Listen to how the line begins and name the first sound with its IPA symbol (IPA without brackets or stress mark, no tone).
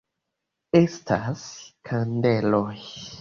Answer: e